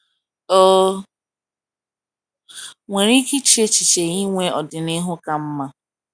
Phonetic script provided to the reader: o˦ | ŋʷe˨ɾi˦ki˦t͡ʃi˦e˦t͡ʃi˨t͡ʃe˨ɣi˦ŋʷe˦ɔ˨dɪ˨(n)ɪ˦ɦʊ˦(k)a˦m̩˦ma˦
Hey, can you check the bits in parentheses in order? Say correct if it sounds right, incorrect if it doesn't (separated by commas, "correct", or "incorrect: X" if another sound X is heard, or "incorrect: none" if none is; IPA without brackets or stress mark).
correct, correct